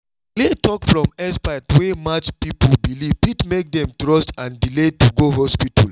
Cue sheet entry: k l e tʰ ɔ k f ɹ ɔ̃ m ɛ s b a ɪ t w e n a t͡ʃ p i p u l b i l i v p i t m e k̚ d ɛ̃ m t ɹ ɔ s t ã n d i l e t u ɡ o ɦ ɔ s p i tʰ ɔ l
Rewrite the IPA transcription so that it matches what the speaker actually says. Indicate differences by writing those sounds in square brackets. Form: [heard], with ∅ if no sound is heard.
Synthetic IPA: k l e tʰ ɔ k f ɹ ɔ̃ m ɛ s [p] a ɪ t w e [m] a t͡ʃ p i p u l b i l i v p i t m e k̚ d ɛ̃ m t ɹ ɔ s t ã n d i l e t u ɡ o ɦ ɔ s p i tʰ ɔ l